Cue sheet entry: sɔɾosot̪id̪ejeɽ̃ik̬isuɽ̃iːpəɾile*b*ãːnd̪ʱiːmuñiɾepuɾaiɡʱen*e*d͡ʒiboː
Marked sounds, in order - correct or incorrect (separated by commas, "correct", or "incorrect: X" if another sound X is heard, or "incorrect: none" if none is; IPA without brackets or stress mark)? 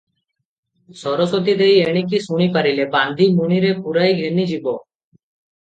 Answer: correct, incorrect: i